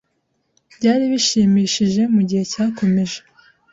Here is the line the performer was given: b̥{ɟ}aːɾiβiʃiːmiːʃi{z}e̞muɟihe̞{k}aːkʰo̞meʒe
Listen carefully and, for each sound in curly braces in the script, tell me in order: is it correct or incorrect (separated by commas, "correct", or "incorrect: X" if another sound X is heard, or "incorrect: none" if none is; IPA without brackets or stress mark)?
correct, incorrect: ʒ, incorrect: c